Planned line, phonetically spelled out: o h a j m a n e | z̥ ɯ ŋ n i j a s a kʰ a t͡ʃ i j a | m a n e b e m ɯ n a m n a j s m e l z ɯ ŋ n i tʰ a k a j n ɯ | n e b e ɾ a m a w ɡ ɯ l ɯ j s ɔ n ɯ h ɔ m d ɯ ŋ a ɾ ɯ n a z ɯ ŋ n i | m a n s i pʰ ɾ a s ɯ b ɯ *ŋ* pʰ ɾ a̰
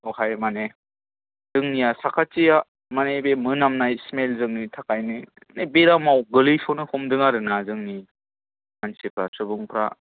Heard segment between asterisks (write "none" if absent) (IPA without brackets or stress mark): ŋ